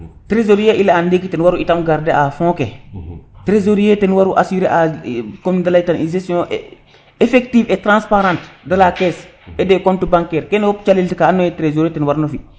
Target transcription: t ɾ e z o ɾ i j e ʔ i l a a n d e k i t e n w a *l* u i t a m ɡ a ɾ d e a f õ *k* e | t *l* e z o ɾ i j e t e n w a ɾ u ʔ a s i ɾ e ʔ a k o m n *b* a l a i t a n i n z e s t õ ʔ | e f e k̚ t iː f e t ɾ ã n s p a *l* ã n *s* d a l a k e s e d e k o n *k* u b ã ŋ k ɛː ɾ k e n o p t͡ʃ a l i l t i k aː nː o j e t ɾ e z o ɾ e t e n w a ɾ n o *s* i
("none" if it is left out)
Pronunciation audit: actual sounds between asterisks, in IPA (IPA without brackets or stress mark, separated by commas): ɾ, k, ɾ, d, ɾ, t, t, f